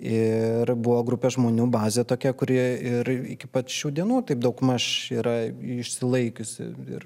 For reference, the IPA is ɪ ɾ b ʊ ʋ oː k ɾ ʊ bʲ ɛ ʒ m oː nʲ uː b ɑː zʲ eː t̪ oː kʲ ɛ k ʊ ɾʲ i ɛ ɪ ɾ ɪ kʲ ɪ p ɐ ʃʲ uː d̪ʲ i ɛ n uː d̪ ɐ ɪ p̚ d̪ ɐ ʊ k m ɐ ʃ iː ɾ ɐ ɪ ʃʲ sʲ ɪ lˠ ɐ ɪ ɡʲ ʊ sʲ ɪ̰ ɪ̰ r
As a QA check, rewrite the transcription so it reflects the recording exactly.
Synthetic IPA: ɪ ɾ b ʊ ʋ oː ɡ ɾ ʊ pʲ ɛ ʒ m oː nʲ uː b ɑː zʲ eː t̪ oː kʲ ɛ k ʊ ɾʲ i ɛ ɪ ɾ ɪ kʲ ɪ p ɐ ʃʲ uː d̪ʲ i ɛ n uː t̪ ɐ ɪ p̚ d̪ ɐ ʊ k m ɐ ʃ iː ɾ ɐ ɪ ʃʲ sʲ ɪ lˠ ɐ ɪ kʲ ʊ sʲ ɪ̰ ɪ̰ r